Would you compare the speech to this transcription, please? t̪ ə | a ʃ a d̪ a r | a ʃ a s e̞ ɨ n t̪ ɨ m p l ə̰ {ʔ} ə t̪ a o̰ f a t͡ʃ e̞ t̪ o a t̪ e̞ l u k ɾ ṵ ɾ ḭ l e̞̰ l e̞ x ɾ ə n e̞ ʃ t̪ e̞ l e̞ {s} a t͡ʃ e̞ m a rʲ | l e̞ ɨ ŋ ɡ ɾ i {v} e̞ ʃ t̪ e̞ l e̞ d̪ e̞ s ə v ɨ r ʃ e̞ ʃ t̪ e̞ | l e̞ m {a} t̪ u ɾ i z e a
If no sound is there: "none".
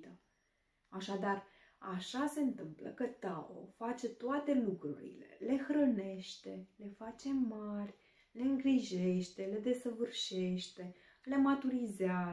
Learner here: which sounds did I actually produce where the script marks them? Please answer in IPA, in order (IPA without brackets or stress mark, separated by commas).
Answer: k, f, ʒ, a